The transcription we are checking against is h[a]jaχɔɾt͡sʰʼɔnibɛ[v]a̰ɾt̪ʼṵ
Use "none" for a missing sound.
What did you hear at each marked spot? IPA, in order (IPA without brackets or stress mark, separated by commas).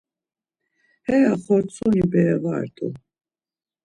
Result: ɛ, v